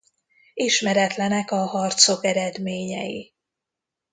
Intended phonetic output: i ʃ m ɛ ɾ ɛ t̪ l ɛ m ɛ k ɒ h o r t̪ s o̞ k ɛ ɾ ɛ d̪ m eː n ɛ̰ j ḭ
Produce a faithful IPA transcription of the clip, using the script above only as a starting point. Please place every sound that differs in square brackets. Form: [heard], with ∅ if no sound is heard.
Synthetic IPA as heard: i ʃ m ɛ ɾ ɛ t̪ l ɛ [n] ɛ k ɒ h [ɒ] r t̪ s o̞ k ɛ ɾ ɛ d̪ m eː [ɲ] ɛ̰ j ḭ